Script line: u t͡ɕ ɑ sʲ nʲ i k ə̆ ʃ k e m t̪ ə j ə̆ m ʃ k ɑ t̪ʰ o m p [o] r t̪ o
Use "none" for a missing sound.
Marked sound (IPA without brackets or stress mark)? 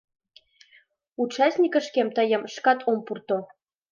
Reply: u